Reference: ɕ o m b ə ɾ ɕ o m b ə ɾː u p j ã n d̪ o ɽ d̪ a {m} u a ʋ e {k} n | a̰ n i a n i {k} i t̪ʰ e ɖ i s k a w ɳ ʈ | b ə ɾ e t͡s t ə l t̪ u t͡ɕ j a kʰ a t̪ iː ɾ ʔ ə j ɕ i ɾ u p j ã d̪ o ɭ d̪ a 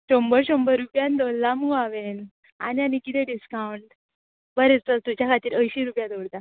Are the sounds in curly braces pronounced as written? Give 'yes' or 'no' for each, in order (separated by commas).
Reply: yes, no, yes